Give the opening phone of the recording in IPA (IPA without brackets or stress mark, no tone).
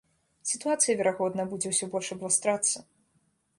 sʲ